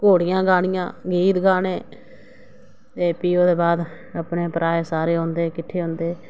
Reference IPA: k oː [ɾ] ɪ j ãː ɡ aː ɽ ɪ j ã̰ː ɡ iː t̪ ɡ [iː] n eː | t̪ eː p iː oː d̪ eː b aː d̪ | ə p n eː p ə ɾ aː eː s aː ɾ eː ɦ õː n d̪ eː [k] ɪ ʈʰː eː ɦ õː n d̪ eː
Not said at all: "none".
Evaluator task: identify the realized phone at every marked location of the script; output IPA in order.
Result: ɽ, aː, k

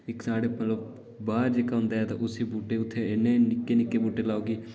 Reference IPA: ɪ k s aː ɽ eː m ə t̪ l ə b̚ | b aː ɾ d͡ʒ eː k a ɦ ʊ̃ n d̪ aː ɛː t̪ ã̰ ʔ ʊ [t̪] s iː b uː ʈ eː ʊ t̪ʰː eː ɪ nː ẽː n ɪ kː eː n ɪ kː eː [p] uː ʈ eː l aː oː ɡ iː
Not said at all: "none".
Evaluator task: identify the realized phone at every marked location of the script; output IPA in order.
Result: none, b

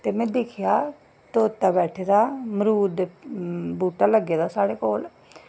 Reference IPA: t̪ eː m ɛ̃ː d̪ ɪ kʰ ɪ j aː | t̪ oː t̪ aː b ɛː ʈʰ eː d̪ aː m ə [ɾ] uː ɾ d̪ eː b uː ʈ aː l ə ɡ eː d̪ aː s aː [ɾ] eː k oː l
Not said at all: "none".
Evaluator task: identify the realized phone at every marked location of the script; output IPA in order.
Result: ɾ, ɽ

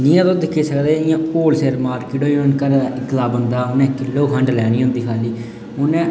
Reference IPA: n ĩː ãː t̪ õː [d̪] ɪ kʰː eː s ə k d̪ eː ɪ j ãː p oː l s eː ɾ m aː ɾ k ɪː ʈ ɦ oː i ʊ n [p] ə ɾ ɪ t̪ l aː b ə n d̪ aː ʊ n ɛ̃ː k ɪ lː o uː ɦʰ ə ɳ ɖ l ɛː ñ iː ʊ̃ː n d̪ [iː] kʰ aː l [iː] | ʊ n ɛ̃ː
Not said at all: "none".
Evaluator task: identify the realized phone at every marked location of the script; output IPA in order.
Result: d̪, k, iː, iː

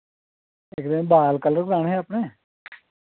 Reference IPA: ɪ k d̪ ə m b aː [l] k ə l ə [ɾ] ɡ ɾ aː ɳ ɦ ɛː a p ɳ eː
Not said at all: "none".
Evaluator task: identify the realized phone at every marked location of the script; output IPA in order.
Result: l, ɾ

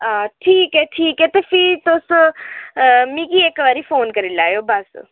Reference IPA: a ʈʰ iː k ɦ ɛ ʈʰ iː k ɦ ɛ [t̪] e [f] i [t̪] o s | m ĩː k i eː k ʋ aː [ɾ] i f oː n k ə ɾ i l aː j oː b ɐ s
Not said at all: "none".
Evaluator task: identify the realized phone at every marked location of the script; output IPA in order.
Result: t̪, f, t̪, ɾ

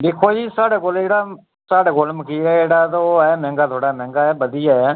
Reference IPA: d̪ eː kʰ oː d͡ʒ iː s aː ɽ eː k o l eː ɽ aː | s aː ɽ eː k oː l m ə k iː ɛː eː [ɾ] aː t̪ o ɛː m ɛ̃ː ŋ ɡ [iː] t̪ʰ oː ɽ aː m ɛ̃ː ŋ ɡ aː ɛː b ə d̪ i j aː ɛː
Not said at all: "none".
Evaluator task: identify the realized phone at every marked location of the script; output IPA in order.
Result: ɽ, aː

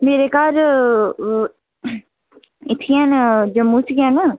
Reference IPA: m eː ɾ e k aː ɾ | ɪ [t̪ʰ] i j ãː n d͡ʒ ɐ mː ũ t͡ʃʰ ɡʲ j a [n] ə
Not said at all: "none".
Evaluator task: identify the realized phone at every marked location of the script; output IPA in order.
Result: t̪ʰ, n

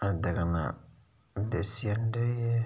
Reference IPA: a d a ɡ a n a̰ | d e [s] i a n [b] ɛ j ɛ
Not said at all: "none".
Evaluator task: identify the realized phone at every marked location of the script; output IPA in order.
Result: s, d

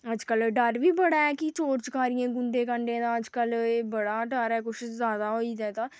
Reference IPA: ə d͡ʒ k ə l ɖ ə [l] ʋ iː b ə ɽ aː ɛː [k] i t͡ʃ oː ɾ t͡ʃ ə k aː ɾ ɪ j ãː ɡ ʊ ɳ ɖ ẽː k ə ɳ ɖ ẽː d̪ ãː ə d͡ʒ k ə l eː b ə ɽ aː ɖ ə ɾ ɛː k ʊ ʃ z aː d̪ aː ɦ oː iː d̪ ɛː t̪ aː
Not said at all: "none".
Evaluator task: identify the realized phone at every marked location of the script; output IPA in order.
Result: ɾ, k

